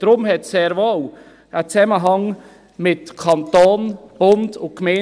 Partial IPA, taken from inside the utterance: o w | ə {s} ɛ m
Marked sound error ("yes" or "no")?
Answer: yes